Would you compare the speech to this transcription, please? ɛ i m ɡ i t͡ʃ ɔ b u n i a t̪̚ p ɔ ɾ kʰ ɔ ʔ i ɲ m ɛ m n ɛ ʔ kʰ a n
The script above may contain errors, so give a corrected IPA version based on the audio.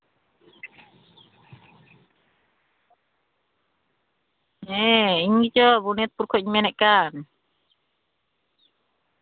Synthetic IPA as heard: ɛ i ɲ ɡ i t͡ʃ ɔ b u n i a t̪̚ p u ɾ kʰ ɔ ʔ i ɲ m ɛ n ɛ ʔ k a n